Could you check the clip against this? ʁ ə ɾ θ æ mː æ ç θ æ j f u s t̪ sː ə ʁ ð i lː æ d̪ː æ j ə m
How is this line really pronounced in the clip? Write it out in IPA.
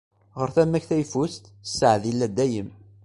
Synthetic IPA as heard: ʁ ə ɾ θ æ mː æ ç θ æ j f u s t̪ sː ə ʕ ð i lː æ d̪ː æ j ə m